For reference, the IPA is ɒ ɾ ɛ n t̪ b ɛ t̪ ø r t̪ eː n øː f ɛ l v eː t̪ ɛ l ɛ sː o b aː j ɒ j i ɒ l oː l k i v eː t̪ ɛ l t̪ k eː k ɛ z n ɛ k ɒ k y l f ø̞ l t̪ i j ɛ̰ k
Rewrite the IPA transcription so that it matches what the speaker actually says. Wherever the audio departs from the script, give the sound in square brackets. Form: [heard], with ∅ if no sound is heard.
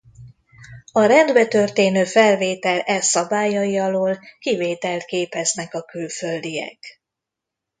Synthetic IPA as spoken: ɒ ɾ ɛ n [d̪] b ɛ t̪ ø r t̪ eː n øː f ɛ l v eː t̪ ɛ l ɛ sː [ɒ] b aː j ɒ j i ɒ l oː l k i v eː t̪ ɛ l t̪ k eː [p] ɛ z n ɛ k ɒ k y l f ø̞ l [d̪] i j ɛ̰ k